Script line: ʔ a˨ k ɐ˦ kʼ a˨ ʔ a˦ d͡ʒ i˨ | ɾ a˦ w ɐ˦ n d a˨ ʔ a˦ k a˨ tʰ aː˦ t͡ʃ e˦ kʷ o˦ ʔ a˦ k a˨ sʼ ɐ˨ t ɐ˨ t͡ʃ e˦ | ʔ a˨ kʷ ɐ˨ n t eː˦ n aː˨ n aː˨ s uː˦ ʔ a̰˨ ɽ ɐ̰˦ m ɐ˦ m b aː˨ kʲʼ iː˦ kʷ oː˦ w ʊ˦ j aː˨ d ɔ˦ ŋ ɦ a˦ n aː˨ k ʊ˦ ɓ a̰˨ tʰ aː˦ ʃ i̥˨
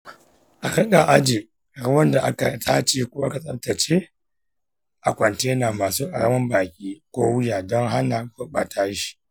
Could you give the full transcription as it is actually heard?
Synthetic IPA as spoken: ʔ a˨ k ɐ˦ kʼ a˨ ʔ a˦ d͡ʒ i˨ | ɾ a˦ w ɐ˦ n d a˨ ʔ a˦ k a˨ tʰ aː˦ t͡ʃ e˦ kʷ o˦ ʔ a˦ k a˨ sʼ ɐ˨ t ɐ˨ t͡ʃ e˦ | ʔ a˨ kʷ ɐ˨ n t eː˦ n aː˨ m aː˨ s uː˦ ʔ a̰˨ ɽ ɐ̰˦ m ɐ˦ m b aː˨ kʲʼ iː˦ kʷ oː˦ w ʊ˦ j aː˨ d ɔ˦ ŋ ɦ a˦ n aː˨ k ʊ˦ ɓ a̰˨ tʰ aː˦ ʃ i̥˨

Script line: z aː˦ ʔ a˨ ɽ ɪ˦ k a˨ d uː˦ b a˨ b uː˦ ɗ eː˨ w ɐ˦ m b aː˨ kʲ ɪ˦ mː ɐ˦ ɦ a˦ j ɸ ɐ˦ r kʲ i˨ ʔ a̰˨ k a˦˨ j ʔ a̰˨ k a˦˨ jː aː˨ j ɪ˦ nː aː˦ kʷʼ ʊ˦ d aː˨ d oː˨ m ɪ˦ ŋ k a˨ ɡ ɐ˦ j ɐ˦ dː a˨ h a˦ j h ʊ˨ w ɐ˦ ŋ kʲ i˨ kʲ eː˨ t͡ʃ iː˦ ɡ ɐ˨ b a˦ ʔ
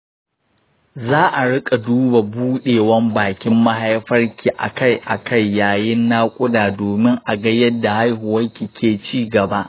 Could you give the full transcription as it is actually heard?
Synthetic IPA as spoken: z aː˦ ʔ a˨ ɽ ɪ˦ kʼ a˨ d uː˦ b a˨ b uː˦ ɗ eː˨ w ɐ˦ m b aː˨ kʲ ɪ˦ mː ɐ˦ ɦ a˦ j ɸ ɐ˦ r kʲ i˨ ʔ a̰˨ k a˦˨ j ʔ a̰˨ k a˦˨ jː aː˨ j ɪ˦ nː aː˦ kʷʼ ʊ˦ d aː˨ d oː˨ m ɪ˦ ŋ ʔ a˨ ɡ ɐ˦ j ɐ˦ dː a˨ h a˦ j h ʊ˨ w ɐ˦ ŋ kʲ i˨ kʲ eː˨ t͡ʃ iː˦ ɡ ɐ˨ b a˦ ʔ

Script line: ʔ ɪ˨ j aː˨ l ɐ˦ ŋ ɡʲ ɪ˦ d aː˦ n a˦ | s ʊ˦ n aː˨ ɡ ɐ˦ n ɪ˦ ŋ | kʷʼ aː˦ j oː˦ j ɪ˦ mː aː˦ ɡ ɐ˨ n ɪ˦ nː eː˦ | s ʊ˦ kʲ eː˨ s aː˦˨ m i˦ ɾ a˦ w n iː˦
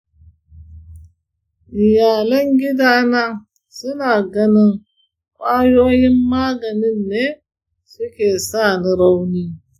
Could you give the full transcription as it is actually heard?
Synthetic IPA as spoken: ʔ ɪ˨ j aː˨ l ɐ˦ ŋ ɡʲ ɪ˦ d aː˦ n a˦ | s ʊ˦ n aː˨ ɡ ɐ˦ n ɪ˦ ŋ | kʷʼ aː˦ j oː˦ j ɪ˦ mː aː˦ ɡ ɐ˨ n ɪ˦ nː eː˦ | s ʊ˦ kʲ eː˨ s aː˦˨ n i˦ ɾ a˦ w n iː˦

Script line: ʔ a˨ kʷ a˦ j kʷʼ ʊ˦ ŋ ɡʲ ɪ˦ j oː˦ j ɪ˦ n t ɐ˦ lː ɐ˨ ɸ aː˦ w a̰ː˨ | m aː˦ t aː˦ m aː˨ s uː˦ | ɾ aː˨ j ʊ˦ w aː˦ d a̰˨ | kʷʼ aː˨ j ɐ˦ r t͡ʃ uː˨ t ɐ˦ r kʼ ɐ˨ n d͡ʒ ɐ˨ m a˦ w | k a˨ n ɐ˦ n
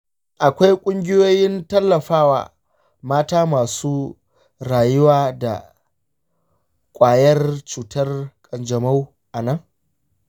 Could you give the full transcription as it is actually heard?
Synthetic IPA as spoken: ʔ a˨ kʷ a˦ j kʷʼ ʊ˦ ŋ ɡʲ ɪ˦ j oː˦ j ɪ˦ n t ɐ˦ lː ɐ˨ ɸ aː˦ w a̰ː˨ | m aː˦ t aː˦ m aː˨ s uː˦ | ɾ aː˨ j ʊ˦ w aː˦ d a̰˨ | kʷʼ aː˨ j ɐ˦ r t͡ʃ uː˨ t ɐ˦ r kʼ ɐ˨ n d͡ʒ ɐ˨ m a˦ w | ʔ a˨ n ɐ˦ ŋ

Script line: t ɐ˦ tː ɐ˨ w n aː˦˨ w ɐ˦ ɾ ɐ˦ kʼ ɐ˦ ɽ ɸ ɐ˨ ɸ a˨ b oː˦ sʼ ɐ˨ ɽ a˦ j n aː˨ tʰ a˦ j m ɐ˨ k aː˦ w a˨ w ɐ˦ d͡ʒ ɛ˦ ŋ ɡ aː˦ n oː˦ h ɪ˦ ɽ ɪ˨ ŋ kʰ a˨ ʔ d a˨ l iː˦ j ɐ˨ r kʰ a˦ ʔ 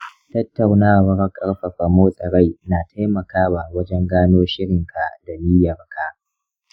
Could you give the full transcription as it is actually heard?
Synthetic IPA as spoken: t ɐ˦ tː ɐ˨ w n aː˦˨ w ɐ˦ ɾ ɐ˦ kʼ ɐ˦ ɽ ɸ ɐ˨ ɸ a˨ m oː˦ sʼ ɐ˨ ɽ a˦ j n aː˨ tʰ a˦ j m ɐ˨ k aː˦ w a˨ w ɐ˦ d͡ʒ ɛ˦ ŋ ɡ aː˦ n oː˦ ʃ ɪ˦ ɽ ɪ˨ ŋ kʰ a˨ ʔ d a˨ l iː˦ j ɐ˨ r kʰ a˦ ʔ

